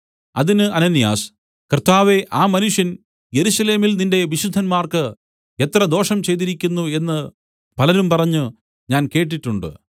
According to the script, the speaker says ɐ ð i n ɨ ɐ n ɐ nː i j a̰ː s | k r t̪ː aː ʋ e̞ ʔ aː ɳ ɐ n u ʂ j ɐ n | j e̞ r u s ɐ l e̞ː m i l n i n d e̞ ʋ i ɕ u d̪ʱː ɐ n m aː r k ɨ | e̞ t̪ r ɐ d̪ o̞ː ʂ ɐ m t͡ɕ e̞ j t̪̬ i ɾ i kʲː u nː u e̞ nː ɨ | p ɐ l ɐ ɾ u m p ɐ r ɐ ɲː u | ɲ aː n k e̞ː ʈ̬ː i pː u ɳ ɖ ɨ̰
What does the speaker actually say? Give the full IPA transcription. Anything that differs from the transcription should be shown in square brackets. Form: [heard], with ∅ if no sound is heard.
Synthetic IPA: ɐ ð i n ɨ ɐ n ɐ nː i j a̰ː s | k r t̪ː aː ʋ e̞ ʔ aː [m] ɐ n u ʂ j ɐ n | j e̞ [ɾ] u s ɐ l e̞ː m i l n i n d e̞ ʋ i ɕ u d̪ʱː ɐ n m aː r k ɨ | e̞ t̪ r ɐ d̪ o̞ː ʂ ɐ m t͡ɕ e̞ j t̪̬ i ɾ i kʲː u nː u e̞ nː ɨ | p ɐ l ɐ ɾ u m p ɐ r ɐ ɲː u | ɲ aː n k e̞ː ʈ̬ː i [ʈː] u ɳ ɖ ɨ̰